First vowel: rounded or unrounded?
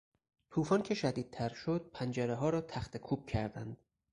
rounded